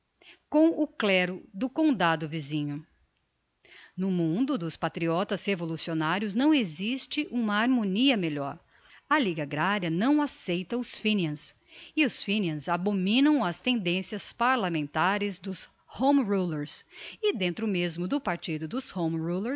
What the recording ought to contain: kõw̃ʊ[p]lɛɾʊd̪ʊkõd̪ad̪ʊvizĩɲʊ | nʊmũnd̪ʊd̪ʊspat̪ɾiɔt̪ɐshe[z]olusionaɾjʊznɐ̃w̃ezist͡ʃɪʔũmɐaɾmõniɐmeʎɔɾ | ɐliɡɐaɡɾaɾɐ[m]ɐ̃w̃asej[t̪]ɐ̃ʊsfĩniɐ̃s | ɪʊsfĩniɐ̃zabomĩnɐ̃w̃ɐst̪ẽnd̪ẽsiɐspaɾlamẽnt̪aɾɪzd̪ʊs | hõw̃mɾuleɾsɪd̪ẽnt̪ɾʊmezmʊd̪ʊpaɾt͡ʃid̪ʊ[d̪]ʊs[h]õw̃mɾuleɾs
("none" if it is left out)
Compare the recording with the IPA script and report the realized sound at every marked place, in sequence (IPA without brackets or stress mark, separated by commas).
k, v, n, t̪, d̪, h